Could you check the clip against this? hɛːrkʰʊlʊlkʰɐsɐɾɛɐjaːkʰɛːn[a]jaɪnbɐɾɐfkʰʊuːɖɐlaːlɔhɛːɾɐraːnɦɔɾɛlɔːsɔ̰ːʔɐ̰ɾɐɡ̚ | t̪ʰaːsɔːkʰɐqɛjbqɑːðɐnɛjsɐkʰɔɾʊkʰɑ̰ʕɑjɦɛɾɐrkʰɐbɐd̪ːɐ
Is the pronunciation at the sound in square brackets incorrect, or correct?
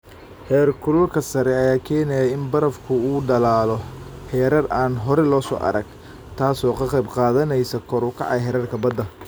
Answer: incorrect